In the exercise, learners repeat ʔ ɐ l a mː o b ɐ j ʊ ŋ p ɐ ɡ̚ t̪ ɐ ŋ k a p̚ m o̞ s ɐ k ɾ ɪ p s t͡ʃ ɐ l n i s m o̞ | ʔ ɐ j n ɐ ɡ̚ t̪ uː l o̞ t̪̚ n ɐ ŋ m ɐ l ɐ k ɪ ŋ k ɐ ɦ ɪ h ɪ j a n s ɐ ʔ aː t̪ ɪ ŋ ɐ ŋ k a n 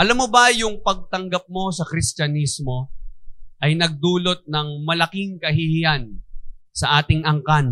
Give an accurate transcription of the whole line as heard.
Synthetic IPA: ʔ ɐ l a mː o b ɐ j ʊ ŋ p ɐ ɡ̚ t̪ ɐ ŋ ɡ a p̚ m o̞ s ɐ k ɾ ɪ s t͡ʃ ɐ n i s m o̞ | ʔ ɐ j n ɐ ɡ̚ d̪ uː l o̞ t̪̚ n ɐ ŋ m ɐ l ɐ k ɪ ŋ k ɐ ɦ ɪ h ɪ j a n s ɐ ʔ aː t̪ ɪ ŋ ɐ ŋ k a n